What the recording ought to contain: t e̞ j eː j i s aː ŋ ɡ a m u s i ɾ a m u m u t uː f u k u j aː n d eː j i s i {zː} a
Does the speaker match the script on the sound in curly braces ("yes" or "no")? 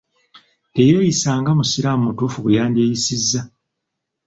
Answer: yes